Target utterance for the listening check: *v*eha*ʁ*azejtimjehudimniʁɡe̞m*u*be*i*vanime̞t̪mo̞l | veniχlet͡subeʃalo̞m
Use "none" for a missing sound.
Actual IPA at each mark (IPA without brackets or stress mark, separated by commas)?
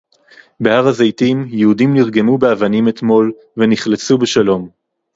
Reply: b, ʁ, u, a